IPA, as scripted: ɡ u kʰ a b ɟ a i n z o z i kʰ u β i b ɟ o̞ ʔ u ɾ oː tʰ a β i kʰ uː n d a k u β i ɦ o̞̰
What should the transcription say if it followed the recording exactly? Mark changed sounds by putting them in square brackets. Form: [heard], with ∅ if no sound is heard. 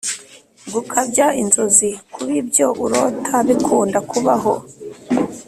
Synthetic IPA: ɡ u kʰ a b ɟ a i n z o z i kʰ u β i b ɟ o̞ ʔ u ɾ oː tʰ a β i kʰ uː n d a k u β [a] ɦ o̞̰